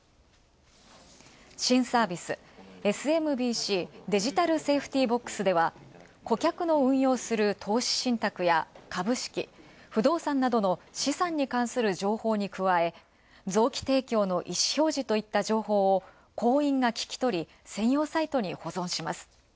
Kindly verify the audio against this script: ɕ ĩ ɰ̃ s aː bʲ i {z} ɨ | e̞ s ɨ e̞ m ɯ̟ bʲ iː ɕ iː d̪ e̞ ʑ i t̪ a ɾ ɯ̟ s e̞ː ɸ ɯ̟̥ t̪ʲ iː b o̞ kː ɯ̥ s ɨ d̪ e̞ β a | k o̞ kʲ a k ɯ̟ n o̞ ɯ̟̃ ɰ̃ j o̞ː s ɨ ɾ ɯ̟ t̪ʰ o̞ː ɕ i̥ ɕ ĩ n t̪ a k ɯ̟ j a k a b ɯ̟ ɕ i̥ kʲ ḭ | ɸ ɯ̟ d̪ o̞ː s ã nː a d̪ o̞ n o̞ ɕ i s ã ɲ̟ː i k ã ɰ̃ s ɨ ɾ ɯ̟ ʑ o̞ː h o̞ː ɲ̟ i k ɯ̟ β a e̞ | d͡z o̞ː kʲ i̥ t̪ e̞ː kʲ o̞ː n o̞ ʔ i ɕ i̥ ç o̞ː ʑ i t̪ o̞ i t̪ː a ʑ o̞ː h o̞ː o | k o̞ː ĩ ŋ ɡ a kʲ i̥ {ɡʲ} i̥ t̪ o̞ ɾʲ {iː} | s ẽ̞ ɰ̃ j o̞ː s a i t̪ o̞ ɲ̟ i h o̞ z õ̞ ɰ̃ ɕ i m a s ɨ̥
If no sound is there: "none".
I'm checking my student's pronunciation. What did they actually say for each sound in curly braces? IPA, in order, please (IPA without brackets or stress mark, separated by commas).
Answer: s, kʲ, i